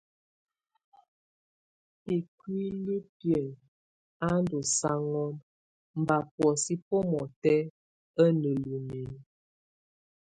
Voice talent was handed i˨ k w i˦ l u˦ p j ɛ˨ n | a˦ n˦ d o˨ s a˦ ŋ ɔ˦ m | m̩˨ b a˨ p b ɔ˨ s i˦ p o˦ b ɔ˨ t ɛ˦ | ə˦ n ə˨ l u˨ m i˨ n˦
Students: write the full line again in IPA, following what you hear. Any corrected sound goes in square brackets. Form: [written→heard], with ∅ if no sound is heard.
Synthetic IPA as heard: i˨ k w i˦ l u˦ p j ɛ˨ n | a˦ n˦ d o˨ s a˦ ŋ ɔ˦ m | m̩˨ b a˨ p [b→w] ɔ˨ s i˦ p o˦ [b→m] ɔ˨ t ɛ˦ | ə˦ n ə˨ l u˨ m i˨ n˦